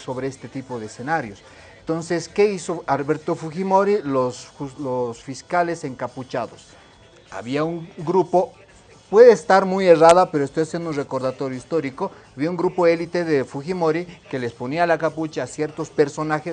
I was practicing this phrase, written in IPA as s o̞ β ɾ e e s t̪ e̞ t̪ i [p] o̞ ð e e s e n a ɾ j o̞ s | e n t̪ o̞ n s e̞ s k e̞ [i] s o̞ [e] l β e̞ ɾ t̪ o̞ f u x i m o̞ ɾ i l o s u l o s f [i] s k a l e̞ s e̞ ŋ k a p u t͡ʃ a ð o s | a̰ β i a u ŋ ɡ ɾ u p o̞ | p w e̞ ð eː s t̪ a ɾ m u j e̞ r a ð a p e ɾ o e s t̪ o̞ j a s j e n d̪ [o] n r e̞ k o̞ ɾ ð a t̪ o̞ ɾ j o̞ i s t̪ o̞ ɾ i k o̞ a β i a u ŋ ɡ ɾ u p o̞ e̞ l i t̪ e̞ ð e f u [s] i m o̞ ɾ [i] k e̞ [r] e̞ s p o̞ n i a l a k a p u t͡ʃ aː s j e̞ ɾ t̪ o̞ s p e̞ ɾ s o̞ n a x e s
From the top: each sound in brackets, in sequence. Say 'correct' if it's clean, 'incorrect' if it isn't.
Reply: correct, correct, incorrect: a, correct, incorrect: u, incorrect: x, correct, incorrect: l

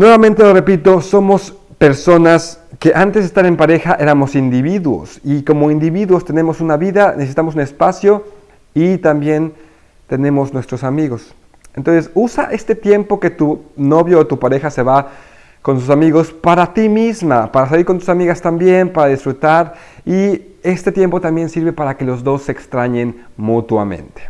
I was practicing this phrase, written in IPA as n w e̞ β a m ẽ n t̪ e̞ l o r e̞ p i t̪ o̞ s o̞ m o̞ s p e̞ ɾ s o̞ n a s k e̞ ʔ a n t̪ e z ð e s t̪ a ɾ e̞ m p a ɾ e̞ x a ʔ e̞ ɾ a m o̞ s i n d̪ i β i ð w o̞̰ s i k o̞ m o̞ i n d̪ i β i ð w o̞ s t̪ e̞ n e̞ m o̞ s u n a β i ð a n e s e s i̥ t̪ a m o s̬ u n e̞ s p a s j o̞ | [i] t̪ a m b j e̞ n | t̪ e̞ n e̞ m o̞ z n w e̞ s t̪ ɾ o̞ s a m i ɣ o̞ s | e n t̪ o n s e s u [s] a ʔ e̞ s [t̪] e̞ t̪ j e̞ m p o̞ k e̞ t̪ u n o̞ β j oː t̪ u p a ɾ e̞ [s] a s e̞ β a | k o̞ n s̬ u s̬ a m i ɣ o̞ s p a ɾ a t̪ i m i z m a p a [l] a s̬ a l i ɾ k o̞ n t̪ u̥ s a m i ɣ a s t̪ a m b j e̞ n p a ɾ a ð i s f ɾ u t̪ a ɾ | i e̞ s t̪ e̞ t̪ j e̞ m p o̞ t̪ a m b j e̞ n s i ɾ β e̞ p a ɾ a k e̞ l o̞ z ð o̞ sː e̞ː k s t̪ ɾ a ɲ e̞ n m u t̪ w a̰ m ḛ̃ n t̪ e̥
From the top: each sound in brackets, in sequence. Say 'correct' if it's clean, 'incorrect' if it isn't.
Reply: correct, correct, correct, incorrect: x, incorrect: ɾ

